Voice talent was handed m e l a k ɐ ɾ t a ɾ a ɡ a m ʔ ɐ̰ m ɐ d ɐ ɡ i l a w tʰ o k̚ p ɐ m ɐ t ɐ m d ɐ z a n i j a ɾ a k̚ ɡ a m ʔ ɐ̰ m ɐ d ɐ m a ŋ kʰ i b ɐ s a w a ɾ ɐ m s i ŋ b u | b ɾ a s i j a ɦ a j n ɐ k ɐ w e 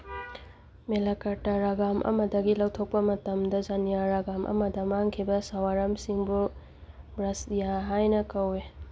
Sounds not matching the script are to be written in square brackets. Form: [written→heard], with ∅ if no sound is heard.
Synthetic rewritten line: m e l a k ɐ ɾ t a ɾ a ɡ a m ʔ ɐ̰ m ɐ d ɐ ɡ i l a w tʰ o k̚ p ɐ m ɐ t ɐ m d ɐ z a n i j a ɾ a [k̚→∅] ɡ a m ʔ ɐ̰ m ɐ d ɐ m a ŋ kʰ i b ɐ s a w a ɾ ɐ m s i ŋ b u | b ɾ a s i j a ɦ a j n ɐ k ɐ w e